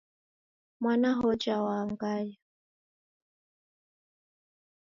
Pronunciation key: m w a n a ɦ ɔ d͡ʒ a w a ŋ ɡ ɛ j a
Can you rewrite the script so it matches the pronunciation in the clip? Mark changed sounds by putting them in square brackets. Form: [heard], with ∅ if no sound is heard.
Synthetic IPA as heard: m w a n a ɦ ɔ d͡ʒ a w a ŋ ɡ [a] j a